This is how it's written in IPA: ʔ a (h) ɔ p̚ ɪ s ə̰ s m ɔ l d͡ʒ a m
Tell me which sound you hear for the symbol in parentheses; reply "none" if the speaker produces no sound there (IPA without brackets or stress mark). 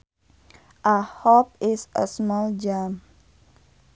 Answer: h